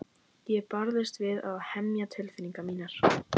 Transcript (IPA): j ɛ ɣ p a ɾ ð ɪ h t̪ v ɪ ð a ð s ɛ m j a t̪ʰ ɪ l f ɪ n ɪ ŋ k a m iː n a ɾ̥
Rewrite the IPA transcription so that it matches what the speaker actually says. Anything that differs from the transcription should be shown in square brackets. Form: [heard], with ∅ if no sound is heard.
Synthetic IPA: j ɛ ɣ p a ɾ ð ɪ [s] t̪ v ɪ ð a ð [h] ɛ m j a t̪ʰ ɪ l f ɪ n [i] ŋ k a m iː n a ɾ̥